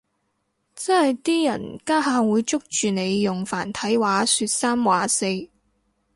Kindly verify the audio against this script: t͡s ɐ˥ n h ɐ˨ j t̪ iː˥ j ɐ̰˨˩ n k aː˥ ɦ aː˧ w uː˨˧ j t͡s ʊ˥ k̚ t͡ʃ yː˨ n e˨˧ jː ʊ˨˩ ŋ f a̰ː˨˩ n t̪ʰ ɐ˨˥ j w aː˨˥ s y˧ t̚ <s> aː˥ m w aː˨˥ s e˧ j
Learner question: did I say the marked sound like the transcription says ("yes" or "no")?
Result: yes